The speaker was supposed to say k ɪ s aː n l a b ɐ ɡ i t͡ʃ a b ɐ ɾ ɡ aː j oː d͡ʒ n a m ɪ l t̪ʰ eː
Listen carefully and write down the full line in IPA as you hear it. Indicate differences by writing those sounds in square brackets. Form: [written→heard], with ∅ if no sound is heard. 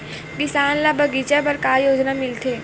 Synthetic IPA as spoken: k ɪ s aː n l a b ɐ ɡ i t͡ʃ a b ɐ ɾ [ɡ→k] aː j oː d͡ʒ n a m ɪ l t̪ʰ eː